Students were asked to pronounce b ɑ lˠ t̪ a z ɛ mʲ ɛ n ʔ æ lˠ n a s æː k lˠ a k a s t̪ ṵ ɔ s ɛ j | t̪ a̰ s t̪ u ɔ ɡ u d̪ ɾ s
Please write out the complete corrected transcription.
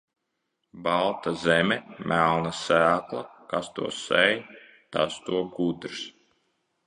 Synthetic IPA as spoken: b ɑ lˠ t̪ a z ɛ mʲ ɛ m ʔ æ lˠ n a s æː k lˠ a k a s t̪ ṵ ɔ s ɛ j | t̪ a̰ s t̪ u ɔ ɡ u d̪ ɾ s